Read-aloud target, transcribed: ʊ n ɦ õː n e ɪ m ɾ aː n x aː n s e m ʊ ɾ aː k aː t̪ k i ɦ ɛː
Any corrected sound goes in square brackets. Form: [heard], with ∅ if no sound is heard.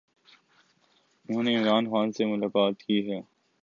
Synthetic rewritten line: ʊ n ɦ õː n e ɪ m ɾ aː n x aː n s e m ʊ [l] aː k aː t̪ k i ɦ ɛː